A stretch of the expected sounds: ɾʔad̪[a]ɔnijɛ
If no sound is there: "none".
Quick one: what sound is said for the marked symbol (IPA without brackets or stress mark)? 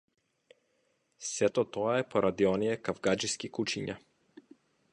i